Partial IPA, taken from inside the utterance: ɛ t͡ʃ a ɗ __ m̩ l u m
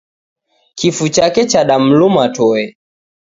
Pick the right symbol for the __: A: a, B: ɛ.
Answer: A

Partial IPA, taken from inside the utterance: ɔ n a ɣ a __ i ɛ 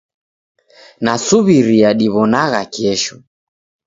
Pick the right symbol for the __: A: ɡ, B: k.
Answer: B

